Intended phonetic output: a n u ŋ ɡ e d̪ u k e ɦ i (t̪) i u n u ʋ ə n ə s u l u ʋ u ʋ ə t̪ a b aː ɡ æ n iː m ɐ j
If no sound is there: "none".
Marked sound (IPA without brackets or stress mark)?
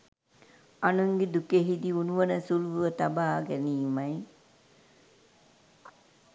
d̪